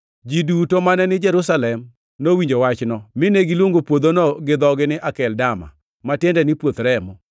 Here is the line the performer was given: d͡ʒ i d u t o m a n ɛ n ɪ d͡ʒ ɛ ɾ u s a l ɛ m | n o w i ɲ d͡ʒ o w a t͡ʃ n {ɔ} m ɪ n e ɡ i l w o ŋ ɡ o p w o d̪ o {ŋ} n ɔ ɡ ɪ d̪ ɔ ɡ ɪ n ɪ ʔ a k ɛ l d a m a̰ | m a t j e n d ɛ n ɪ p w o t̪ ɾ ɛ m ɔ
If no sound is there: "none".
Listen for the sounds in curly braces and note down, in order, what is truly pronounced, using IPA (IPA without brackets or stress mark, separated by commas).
ɔ, none